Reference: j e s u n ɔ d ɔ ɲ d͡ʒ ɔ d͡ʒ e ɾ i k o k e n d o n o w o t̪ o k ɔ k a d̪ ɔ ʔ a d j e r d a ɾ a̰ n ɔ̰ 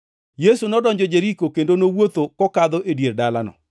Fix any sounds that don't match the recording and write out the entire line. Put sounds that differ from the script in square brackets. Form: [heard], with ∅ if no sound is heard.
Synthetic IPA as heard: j e s u n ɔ d ɔ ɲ d͡ʒ ɔ d͡ʒ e ɾ i k o k e n d o n o w o t̪ o k ɔ k a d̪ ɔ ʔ [e] d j e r d a [l] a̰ n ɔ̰

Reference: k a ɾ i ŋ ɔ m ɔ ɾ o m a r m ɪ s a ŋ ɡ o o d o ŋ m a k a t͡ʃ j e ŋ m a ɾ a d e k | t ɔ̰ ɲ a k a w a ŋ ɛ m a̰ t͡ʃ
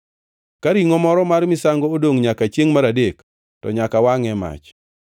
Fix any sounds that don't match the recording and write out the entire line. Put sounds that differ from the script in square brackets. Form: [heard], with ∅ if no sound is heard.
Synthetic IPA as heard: k a ɾ i ŋ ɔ m ɔ ɾ [ɔ] m a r m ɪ s a ŋ ɡ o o d o ŋ [ɲ] a k a t͡ʃ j e ŋ m a ɾ a d e k | t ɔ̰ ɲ a k a w a ŋ ɛ m a̰ t͡ʃ

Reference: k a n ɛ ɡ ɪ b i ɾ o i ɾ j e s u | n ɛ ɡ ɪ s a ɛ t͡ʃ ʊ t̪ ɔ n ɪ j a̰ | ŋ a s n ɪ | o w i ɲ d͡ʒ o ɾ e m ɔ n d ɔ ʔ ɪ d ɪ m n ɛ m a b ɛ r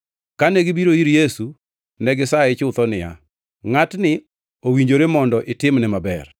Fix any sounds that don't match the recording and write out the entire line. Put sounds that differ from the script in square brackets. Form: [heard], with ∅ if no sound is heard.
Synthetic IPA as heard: k a n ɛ ɡ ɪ b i ɾ o i ɾ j e s u | n ɛ ɡ ɪ s a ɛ t͡ʃ ʊ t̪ ɔ n ɪ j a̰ | ŋ a [t] n ɪ | o w i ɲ d͡ʒ o ɾ e m ɔ n d ɔ ʔ ɪ [t] ɪ m n ɛ m a b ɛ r

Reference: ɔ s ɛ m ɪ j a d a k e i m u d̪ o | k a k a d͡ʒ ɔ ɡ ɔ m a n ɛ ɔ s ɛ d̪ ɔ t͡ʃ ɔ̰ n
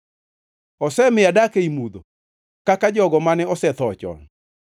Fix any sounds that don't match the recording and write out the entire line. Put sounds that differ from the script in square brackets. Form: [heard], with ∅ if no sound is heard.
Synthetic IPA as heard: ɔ s ɛ m ɪ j a d a k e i m u d̪ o | k a k a d͡ʒ ɔ ɡ ɔ m a n ɛ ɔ s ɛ [t̪] ɔ t͡ʃ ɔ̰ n

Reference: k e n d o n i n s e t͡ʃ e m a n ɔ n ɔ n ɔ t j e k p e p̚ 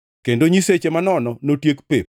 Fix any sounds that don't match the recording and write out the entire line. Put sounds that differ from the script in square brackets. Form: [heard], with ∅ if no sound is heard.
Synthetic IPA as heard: k e n d o [ɲ] i [∅] s e t͡ʃ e m a n ɔ n ɔ n [o] t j e k p e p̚

